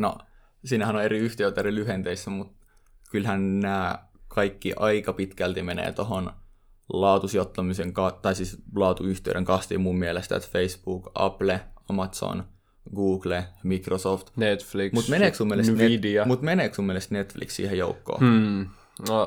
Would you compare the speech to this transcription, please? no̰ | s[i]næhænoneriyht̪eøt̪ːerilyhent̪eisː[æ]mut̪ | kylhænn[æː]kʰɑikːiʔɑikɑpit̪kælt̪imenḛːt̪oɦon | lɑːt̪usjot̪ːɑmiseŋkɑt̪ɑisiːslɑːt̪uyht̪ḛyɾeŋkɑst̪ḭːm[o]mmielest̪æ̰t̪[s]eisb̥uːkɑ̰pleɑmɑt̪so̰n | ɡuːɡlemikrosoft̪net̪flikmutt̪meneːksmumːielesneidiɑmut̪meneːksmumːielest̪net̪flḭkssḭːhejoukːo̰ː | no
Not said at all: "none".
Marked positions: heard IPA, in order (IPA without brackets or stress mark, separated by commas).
iː, æ, æː, u, f